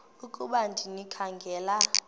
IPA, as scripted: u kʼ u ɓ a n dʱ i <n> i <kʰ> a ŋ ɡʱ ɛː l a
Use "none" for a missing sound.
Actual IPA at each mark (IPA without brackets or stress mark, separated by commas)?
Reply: n, kʰ